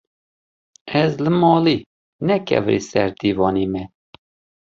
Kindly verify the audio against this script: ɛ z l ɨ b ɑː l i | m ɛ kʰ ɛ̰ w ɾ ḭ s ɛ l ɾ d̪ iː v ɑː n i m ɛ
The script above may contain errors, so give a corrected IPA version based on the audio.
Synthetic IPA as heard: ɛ z l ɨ m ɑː l i | n ɛ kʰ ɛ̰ v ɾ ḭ s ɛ ɾ d̪ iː v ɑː n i m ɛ

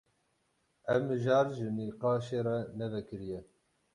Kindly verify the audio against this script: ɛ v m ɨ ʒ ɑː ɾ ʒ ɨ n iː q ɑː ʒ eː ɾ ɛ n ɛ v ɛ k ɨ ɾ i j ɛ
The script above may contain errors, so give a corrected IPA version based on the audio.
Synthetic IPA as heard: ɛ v m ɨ ʒ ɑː ɾ ʒ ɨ n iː q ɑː ʃ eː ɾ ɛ n ɛ v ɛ k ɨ ɾ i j ɛ

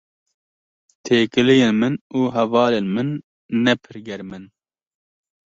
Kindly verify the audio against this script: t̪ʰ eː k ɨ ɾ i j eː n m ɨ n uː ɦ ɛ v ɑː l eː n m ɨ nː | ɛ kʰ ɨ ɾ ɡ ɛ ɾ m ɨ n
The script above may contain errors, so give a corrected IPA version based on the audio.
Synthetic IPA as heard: t̪ʰ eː k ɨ l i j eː n m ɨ n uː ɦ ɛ v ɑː l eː n m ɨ nː | ɛ pʰ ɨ ɾ ɡ ɛ ɾ m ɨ n

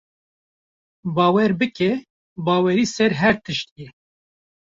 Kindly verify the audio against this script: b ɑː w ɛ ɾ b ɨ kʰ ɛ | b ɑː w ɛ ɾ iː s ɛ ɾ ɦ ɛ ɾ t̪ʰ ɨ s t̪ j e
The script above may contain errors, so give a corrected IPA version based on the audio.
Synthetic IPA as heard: b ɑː w ɛ ɾ b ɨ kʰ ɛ | b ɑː w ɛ ɾ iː s ɛ ɾ ɦ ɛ ɾ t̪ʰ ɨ ʃ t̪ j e

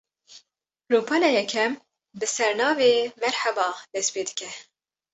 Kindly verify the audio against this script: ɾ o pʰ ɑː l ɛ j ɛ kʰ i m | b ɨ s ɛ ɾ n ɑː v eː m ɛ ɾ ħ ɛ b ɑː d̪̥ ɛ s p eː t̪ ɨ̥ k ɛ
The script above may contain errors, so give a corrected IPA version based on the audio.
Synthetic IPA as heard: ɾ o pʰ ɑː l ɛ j ɛ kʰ ɛ m | b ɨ s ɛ ɾ n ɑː v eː m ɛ ɾ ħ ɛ b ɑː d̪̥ ɛ s p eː d̪ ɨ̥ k ɛ

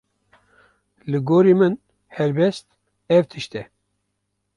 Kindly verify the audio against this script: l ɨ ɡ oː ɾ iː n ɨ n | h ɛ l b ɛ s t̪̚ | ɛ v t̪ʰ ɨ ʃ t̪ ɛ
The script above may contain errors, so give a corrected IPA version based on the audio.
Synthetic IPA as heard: l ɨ ɡ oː ɾ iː m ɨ n | h ɛ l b ɛ s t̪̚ | ɛ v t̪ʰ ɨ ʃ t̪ ɛ

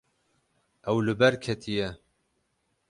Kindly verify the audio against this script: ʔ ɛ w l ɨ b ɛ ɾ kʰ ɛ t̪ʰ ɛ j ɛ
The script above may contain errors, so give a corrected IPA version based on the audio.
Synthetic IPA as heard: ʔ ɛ w l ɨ b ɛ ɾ kʰ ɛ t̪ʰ i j ɛ

